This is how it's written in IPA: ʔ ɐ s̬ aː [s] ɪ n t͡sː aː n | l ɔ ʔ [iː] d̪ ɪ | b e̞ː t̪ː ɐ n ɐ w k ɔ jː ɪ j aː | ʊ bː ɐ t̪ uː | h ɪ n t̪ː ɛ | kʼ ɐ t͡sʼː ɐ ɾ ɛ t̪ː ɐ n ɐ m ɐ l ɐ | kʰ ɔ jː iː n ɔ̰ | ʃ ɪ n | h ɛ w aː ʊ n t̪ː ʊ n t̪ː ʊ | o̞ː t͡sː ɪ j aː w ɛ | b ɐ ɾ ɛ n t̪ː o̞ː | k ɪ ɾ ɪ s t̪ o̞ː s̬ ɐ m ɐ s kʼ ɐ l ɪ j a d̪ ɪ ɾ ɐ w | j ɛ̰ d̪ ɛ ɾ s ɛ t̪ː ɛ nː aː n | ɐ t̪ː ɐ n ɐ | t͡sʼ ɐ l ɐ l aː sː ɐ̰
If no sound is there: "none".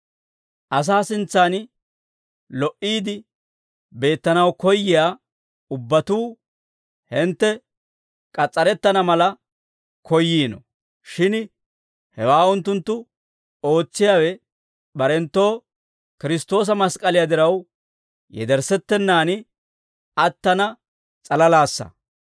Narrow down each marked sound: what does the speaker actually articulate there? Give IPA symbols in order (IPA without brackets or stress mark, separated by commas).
s, iː